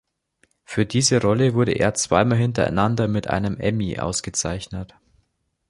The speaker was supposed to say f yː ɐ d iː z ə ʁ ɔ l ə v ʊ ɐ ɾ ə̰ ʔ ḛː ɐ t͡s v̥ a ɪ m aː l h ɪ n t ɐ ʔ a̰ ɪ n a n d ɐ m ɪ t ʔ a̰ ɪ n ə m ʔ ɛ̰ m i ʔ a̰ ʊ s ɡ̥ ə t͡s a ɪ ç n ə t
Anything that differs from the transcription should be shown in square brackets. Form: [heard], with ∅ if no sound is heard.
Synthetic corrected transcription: f yː ɐ d iː z ə ʁ ɔ l ə v ʊ ɐ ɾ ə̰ ʔ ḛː ɐ t͡s v̥ a ɪ m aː l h ɪ n t ɐ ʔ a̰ ɪ n a n d ɐ m ɪ t ʔ a̰ ɪ n ə m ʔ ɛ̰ m i ʔ a̰ ʊ s ɡ̥ ə t͡s a ɪ ç n ə t